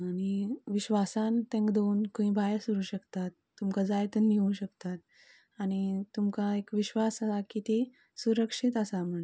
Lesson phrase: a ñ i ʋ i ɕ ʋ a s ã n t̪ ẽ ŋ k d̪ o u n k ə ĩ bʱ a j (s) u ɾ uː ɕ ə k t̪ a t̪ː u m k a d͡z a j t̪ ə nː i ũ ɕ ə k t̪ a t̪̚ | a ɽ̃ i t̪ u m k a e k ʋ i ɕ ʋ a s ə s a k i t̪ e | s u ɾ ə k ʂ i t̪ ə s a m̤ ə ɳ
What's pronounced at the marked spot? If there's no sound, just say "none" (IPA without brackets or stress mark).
s